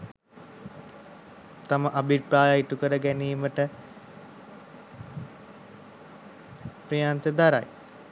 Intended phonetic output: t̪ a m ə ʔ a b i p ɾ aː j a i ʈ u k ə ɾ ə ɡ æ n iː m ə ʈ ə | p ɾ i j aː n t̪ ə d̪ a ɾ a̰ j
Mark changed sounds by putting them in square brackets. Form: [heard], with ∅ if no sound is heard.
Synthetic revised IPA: t̪ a m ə ʔ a b i p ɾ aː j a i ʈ u k ə ɾ ə ɡ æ n iː m ə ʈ ə | p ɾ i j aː n t̪ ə d̪ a ɾ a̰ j